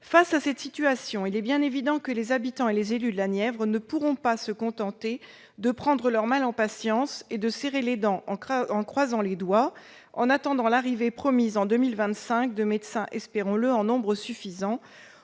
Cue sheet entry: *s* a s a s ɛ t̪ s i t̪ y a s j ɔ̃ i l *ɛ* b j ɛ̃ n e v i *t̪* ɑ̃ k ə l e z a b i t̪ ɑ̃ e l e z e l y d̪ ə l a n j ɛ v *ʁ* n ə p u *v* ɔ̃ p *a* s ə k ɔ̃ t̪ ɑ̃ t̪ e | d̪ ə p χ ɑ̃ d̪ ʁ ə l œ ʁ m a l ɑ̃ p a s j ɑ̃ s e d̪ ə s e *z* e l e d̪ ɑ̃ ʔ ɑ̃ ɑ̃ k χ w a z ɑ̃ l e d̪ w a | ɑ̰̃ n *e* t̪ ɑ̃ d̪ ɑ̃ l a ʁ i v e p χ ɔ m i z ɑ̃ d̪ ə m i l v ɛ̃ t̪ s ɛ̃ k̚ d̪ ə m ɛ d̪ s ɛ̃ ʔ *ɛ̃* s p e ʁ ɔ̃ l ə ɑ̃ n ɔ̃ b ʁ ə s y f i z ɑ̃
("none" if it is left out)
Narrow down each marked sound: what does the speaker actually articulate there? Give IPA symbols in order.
f, ɛ, d̪, ʁ, ʁ, a, ʁ, a, ɛ

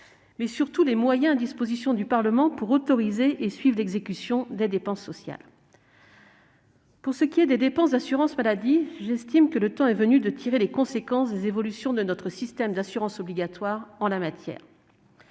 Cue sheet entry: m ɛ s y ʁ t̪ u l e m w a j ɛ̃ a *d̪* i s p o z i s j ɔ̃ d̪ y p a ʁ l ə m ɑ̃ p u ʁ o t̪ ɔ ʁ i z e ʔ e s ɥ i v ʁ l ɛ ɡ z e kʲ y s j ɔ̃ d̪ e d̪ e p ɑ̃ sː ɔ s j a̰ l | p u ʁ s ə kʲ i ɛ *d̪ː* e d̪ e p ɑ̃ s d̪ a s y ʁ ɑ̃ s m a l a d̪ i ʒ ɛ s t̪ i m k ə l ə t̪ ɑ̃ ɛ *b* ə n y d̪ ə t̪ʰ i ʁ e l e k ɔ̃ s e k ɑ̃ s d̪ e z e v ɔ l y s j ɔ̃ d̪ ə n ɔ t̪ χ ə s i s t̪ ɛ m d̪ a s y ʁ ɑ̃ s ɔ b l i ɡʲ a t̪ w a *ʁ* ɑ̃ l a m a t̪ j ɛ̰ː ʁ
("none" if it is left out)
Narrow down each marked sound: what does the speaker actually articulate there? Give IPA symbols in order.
d̪, d̪, v, ʁ

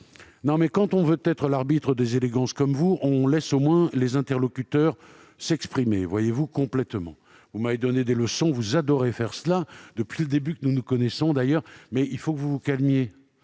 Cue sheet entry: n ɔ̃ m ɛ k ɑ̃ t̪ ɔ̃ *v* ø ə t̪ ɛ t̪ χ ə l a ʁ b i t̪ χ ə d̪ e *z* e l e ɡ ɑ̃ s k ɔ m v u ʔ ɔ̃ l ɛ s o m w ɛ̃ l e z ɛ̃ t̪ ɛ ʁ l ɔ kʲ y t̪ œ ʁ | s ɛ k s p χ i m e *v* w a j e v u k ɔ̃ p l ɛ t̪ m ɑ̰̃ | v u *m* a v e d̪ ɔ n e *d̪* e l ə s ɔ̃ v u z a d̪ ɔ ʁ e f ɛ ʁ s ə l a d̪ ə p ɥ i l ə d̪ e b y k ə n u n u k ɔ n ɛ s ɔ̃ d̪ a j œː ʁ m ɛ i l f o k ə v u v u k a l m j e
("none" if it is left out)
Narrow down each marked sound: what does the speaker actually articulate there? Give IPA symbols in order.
v, z, v, m, d̪

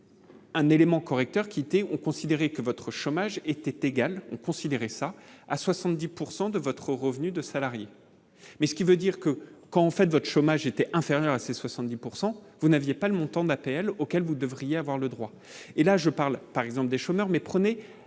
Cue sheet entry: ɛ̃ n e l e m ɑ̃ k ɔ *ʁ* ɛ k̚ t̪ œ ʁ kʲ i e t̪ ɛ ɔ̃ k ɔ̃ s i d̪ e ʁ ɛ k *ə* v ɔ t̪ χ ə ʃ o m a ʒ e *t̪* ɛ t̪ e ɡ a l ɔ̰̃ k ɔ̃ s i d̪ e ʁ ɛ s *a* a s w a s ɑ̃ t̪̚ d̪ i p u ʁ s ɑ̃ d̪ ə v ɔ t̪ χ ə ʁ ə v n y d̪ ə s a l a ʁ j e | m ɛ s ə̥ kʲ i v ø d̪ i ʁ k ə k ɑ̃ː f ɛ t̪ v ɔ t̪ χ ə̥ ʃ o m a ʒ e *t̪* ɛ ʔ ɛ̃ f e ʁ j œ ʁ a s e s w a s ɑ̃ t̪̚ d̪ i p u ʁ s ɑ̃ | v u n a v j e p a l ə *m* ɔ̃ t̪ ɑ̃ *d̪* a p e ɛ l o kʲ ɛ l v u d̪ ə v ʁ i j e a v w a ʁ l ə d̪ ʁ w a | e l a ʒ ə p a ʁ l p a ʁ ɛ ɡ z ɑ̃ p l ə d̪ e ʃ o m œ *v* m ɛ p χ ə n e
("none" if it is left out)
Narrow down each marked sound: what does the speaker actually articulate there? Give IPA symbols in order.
ʁ, ə, t̪, a, t̪, m, d̪, ʁ

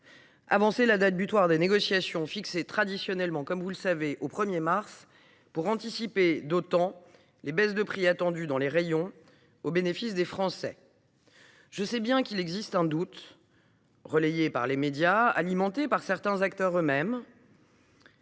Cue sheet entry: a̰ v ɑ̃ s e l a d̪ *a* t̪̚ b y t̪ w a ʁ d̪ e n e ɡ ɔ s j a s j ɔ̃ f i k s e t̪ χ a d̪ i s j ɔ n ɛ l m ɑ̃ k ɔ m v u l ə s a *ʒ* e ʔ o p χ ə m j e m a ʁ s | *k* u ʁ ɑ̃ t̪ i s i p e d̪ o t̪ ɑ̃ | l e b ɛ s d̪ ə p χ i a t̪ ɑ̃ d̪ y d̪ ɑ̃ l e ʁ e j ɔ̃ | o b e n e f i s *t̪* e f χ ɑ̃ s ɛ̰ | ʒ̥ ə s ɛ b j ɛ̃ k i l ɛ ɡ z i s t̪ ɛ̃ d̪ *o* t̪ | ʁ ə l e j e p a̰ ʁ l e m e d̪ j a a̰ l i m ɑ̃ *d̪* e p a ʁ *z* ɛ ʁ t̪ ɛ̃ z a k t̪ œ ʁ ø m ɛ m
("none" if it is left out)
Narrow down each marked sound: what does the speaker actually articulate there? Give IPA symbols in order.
a, v, p, d̪, u, t̪, s

